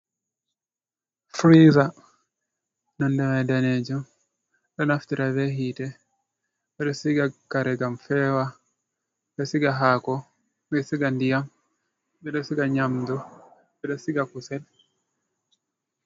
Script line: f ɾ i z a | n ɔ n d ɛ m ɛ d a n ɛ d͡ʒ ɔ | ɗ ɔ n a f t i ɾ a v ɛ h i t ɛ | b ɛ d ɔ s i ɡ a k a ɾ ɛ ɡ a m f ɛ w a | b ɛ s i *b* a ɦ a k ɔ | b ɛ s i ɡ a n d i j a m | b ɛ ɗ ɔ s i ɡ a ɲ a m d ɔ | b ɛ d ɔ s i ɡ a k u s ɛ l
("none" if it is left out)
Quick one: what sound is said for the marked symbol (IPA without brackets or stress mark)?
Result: ɡ